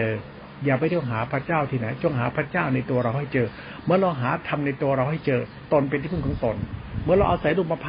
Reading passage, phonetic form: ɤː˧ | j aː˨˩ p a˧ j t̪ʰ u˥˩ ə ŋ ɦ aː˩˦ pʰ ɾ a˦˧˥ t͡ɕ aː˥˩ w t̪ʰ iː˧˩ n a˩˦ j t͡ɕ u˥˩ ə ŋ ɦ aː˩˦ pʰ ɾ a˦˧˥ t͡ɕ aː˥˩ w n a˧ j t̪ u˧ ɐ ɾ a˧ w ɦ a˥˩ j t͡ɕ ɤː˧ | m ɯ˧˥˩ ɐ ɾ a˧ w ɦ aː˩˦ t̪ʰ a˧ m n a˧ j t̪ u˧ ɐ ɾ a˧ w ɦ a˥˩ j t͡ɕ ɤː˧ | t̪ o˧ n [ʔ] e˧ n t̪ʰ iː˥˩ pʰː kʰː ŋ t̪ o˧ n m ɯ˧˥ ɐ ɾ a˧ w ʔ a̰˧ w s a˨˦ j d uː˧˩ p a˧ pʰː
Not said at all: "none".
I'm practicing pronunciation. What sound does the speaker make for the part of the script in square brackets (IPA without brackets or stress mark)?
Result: p